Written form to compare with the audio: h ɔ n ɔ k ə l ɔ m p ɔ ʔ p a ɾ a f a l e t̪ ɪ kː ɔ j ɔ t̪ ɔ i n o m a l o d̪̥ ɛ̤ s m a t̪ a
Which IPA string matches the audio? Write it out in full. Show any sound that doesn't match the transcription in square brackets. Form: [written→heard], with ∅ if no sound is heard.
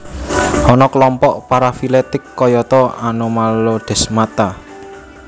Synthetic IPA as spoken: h ɔ n ɔ k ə l ɔ m p ɔ ʔ p a ɾ a f [a→i] l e t̪ ɪ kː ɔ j ɔ t̪ ɔ [i→a] n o m a l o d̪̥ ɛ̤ s m a t̪ a